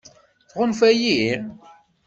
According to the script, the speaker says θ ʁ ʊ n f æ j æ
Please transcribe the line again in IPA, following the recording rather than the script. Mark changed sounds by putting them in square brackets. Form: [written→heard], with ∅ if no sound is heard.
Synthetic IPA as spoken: θ ʁ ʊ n f æ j [æ→i]